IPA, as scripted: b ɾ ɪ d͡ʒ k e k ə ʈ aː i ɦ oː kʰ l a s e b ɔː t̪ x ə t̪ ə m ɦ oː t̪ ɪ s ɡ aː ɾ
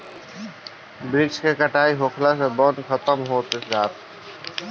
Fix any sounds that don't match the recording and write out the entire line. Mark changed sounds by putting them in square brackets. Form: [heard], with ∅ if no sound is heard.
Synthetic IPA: b ɾ ɪ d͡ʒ k e k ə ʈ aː i ɦ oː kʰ l a s e b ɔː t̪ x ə t̪ ə m ɦ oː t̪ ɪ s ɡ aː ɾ